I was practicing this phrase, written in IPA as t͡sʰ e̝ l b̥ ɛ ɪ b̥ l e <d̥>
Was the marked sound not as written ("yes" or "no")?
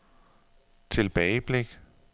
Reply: yes